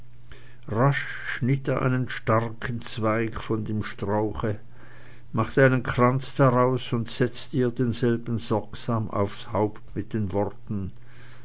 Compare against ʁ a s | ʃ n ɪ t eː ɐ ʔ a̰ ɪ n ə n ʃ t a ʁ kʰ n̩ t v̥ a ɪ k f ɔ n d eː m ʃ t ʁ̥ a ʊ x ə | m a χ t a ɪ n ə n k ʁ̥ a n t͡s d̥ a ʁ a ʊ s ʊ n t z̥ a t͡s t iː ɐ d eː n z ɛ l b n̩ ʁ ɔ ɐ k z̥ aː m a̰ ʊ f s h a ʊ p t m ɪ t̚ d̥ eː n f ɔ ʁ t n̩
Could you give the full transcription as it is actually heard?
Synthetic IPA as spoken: ʁ a ʃ | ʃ n ɪ t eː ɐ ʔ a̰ ɪ n ə n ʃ t a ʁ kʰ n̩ t͡s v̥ a ɪ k f ɔ n d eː m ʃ t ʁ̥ a ʊ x ə | m a χ t a ɪ n ə n k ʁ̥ a n t͡s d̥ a ʁ a ʊ s ʊ n t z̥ ɛ t͡s t iː ɐ d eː n z ɛ l b n̩ z ɔ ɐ k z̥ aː m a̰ ʊ f s h a ʊ p t m ɪ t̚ d̥ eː n v ɔ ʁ t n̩